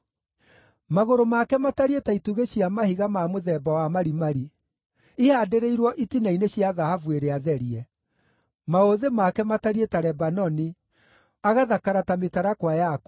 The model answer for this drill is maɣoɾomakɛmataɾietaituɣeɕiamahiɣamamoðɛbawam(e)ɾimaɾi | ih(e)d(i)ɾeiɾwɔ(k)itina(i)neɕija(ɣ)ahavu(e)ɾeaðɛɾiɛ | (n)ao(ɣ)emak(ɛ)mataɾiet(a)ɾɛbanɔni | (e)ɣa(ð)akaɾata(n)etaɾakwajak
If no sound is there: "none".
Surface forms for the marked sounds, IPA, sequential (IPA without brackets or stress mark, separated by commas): a, a, e, ʔ, i, ð, e, m, ð, ɛ, a, a, ð, m